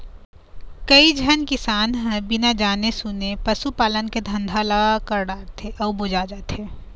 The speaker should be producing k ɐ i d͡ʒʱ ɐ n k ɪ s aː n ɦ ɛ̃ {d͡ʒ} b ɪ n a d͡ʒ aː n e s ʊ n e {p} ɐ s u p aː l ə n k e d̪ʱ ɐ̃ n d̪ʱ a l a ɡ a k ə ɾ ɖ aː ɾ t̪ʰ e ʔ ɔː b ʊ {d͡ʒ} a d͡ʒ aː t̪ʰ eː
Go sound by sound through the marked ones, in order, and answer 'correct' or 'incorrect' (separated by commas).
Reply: incorrect, correct, correct